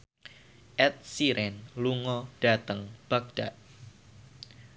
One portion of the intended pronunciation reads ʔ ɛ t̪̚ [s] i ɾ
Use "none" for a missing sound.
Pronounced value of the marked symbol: s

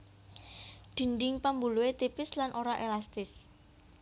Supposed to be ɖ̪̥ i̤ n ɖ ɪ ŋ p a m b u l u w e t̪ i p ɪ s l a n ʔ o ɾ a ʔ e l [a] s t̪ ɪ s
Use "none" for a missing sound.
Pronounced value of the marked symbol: a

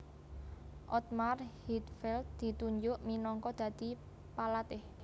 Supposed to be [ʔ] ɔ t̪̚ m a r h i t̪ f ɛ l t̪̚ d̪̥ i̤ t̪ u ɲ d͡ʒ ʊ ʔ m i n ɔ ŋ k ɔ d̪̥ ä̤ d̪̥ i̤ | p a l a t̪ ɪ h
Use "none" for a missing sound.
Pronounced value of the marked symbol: ʔ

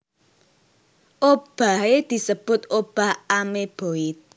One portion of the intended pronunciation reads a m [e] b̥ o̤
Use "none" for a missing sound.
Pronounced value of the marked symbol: e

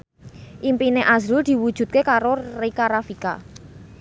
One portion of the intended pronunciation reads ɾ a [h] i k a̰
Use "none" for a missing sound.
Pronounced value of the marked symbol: f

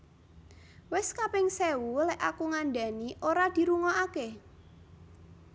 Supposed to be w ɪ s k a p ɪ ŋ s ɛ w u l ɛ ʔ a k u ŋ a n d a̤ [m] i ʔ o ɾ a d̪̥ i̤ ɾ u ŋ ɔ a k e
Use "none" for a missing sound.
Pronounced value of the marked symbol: n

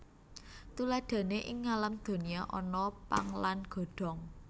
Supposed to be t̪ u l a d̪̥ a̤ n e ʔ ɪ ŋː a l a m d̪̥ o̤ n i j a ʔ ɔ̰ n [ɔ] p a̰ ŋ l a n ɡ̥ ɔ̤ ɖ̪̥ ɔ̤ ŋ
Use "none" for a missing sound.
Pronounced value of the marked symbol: ɔ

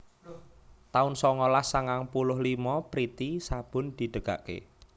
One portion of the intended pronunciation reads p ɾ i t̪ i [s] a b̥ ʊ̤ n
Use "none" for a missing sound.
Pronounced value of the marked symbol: s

